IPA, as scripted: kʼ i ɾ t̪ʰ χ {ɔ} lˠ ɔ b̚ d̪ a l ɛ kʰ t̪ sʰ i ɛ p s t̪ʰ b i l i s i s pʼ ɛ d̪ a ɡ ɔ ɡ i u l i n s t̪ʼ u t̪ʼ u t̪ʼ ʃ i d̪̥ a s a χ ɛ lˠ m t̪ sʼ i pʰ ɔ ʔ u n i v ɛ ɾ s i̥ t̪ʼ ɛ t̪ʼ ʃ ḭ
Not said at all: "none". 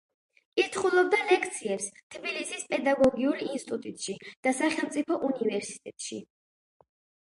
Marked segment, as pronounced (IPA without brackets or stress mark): u